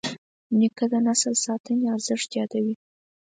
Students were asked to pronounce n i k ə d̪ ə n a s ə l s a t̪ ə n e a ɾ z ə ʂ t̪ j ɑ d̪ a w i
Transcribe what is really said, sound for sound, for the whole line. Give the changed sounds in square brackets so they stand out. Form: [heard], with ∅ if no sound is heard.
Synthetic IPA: n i k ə d̪ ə n a s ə l s [ɑ] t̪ ə n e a ɾ z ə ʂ t̪ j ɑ d̪ a w i

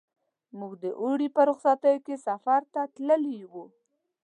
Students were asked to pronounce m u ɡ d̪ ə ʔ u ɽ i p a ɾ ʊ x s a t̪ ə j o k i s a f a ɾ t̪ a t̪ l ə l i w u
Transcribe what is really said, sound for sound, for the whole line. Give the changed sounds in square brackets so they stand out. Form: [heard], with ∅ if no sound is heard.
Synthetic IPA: m u ɡ d̪ ə ʔ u ɽ i p [ə] ɾ ʊ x s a t̪ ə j o k [e] s a f a ɾ t̪ a t̪ l ə l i w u

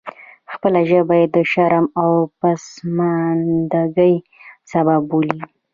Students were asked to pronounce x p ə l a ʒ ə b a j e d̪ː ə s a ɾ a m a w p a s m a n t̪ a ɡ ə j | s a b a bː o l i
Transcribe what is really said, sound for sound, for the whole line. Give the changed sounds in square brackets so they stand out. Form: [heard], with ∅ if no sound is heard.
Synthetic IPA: x p ə l a ʒ ə b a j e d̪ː ə [ʃ] a ɾ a m a w p a s m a n [d̪] a ɡ ə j | s a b a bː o l i

